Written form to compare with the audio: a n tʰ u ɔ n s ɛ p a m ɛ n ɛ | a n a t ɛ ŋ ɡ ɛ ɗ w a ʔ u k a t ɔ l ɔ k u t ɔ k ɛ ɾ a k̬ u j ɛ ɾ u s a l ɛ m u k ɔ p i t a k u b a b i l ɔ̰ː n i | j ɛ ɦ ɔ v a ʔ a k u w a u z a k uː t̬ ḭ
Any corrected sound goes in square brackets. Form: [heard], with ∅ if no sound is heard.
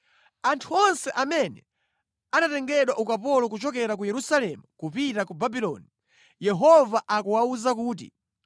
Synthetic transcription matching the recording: a n tʰ u ɔ n s ɛ [ʔ] a m ɛ n ɛ | a n a t ɛ ŋ ɡ ɛ ɗ w a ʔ u k a [p] ɔ l ɔ k u [t͡ʃ] ɔ k ɛ ɾ a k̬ u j ɛ ɾ u s a l ɛ m u k [u] p i t a k u b a b i l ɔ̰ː n i | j ɛ ɦ ɔ v a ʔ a k u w a u z a k uː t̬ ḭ